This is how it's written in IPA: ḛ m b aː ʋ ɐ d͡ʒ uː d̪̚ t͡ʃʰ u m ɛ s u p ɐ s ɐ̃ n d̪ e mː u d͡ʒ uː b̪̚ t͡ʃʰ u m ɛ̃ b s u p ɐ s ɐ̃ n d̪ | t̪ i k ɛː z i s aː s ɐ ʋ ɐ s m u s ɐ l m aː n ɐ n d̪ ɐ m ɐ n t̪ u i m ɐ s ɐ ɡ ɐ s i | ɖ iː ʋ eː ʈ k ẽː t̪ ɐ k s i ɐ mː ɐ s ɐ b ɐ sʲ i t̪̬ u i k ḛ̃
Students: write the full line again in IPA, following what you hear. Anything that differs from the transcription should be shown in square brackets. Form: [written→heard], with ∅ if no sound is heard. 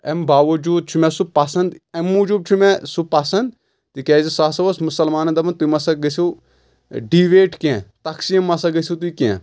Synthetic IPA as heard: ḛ m b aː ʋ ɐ d͡ʒ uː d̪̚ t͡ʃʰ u m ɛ s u p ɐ s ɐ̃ n d̪ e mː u d͡ʒ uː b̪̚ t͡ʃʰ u m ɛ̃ [b→∅] s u p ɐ s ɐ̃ n d̪ | t̪ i k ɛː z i s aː s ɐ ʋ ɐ s m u s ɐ l m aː n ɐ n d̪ ɐ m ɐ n t̪ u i m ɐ s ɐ ɡ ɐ s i | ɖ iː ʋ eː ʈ k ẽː t̪ ɐ k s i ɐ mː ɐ s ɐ [b→ɡ] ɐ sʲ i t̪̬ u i k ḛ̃

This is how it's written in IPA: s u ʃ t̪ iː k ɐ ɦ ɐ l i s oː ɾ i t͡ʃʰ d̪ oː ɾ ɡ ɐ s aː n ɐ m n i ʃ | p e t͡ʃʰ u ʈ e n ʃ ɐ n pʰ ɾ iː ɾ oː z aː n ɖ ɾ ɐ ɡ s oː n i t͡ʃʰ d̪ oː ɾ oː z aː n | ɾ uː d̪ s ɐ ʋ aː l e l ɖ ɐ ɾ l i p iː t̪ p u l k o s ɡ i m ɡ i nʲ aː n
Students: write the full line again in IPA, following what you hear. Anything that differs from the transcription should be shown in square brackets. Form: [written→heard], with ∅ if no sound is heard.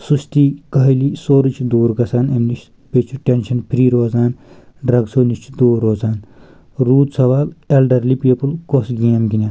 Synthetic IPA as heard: s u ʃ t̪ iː k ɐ ɦ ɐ l i s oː ɾ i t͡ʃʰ d̪ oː ɾ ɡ ɐ s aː n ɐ m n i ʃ | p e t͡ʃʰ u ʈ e n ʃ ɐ n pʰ ɾ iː ɾ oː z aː n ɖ ɾ ɐ ɡ s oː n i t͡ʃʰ d̪ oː ɾ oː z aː n | ɾ uː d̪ s ɐ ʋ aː l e l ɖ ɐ ɾ l i p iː [t̪→∅] p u l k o s ɡ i m ɡ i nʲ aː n

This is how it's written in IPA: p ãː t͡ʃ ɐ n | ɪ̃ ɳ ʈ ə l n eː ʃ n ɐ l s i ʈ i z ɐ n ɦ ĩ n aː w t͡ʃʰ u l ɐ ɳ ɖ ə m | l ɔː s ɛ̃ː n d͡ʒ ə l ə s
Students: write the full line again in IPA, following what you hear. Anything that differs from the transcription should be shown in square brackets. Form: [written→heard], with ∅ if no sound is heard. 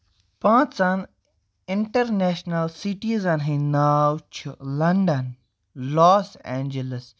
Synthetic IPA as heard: p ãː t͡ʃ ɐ n | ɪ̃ ɳ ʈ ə [l→ɾ] n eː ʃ n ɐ l s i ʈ i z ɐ n ɦ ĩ n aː w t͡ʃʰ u l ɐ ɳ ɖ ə [m→n] | l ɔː s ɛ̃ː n d͡ʒ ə l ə s

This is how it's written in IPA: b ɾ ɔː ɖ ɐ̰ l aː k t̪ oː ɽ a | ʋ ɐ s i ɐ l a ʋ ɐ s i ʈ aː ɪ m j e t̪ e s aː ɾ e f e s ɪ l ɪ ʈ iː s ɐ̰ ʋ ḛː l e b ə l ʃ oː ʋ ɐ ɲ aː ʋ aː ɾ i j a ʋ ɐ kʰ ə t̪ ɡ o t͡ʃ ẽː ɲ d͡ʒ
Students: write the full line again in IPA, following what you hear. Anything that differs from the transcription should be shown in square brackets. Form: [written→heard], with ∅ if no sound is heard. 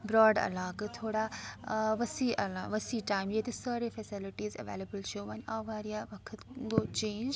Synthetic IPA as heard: b ɾ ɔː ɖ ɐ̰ l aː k [t̪→t̪ʰ] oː ɽ a | ʋ ɐ s i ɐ l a ʋ ɐ s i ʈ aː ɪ m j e t̪ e s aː ɾ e f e s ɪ l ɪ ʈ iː [s→z] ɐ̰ ʋ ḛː l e b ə l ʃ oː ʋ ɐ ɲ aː ʋ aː ɾ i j a ʋ ɐ kʰ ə t̪ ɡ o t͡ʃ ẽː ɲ d͡ʒ

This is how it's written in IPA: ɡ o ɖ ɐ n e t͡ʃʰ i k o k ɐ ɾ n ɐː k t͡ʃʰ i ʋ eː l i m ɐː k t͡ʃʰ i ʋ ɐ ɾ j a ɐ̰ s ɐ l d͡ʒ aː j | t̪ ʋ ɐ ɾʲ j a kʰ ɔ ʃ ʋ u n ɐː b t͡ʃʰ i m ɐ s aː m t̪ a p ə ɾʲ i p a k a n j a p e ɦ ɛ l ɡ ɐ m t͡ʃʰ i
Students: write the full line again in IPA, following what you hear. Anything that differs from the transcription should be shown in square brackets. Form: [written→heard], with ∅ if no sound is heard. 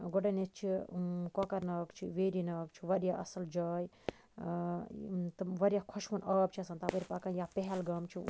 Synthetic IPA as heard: ɡ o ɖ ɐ n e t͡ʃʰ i k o k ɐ ɾ n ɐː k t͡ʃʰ i ʋ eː [l→ɾ] i [m→n] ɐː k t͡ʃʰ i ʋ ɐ ɾ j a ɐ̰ s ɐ l d͡ʒ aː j | t̪ ʋ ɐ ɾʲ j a kʰ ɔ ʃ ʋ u n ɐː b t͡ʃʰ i [m→∅] ɐ s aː [m→n] t̪ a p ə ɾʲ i p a k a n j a p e ɦ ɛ l ɡ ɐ m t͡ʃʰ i

